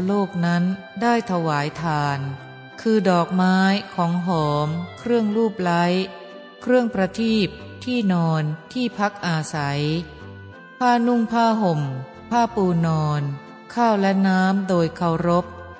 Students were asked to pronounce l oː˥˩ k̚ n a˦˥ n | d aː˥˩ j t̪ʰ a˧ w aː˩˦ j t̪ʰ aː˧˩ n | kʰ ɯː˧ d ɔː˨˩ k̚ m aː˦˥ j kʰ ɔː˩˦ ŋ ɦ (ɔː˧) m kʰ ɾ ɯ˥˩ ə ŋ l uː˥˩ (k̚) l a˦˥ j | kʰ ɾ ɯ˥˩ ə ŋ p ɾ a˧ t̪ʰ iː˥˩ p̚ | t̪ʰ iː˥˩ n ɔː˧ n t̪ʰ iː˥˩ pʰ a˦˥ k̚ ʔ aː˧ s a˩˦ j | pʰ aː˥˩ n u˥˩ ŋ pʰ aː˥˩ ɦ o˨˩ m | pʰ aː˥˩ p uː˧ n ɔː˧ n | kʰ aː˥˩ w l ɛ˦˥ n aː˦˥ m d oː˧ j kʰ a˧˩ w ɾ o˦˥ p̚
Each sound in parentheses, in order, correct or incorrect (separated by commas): incorrect, incorrect